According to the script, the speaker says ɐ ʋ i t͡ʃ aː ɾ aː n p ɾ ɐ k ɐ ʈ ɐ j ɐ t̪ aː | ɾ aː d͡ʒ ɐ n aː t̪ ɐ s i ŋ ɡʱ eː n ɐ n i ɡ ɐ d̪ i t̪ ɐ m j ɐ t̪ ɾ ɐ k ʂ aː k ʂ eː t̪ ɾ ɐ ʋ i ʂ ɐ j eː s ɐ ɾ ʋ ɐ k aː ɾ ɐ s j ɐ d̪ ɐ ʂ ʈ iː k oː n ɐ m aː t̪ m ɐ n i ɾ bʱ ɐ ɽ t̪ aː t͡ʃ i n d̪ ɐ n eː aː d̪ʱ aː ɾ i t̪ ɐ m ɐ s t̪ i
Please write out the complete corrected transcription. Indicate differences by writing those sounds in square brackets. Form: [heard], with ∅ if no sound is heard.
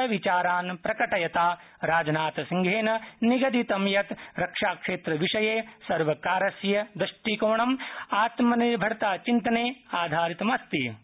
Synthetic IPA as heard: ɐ ʋ i t͡ʃ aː ɾ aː n p ɾ ɐ k ɐ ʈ ɐ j ɐ t̪ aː | ɾ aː d͡ʒ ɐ n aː t̪ ɐ s i ŋ ɡʱ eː n ɐ n i ɡ ɐ d̪ i t̪ ɐ m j ɐ t̪ ɾ ɐ k ʂ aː k ʂ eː t̪ ɾ ɐ ʋ i ʂ ɐ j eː s ɐ ɾ ʋ ɐ k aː ɾ ɐ s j ɐ d̪ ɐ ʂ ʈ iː k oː [ɳ] ɐ m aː t̪ m ɐ n i ɾ bʱ ɐ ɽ t̪ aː t͡ʃ i n [t̪] ɐ n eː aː d̪ʱ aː ɾ i t̪ ɐ m ɐ s t̪ i